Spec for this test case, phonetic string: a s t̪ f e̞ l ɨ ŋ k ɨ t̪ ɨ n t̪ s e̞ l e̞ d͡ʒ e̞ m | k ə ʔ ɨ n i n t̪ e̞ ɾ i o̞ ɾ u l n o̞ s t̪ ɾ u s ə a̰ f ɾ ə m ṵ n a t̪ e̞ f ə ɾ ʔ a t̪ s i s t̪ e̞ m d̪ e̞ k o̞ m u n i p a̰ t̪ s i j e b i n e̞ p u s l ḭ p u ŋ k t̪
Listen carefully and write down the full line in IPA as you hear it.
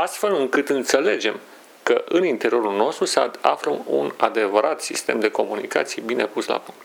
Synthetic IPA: a s t̪ f e̞ l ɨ ŋ k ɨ t̪ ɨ n t̪ s e̞ l e̞ d͡ʒ e̞ m | k ə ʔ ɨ n i n t̪ e̞ ɾ i o̞ ɾ u l n o̞ s t̪ ɾ u s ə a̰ f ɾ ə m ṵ n a d̪ e̞ v ə ɾ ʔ a t̪ s i s t̪ e̞ m d̪ e̞ k o̞ m u n i k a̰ t̪ s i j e b i n e̞ p u s l a̰ p u ŋ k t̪